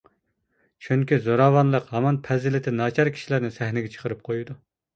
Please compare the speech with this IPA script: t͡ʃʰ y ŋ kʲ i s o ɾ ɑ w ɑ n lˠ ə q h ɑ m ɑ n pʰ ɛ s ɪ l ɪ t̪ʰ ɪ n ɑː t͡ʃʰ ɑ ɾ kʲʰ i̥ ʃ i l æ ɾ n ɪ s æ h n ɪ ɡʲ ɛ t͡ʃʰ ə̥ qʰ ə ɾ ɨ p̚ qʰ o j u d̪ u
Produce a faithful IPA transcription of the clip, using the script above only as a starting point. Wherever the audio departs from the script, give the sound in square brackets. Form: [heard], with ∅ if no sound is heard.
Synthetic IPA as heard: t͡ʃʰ y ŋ kʲ i [z] o ɾ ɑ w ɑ n lˠ ə q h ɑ m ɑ n pʰ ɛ [z] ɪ l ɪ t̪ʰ ɪ n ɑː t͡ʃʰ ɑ ɾ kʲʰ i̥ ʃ i l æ ɾ n ɪ s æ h n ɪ ɡʲ ɛ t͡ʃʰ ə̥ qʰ ə ɾ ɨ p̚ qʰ o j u d̪ u